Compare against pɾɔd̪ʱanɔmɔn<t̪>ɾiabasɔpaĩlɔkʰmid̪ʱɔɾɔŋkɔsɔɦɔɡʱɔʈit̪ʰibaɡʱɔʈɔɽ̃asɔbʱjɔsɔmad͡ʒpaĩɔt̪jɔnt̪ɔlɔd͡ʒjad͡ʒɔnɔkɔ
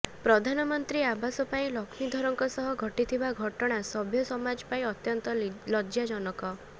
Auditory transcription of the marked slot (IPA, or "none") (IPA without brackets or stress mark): t̪